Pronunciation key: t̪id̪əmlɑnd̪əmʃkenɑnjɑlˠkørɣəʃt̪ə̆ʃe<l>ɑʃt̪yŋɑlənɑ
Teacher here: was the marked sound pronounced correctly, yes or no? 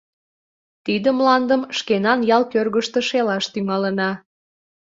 yes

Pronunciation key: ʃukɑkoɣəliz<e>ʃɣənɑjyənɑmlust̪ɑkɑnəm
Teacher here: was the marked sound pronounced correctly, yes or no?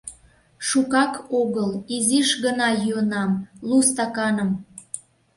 no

